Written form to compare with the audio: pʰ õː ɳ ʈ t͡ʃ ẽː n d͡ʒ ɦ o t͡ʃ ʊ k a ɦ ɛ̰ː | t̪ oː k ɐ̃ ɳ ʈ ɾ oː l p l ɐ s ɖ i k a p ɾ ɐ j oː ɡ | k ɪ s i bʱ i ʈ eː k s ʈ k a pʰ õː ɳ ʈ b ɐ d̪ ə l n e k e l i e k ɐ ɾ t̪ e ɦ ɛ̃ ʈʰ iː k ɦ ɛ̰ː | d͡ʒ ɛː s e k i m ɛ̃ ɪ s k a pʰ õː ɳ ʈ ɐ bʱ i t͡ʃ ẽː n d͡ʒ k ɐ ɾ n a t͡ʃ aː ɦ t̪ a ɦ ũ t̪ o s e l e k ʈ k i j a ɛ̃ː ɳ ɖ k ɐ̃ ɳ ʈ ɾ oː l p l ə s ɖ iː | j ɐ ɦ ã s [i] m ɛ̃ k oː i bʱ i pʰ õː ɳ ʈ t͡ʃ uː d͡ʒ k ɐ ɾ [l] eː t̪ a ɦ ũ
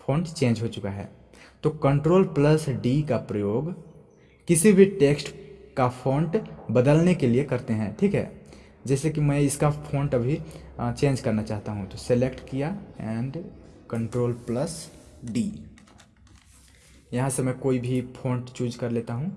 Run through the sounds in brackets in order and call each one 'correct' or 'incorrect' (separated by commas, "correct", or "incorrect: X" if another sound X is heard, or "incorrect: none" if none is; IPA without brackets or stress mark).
incorrect: e, correct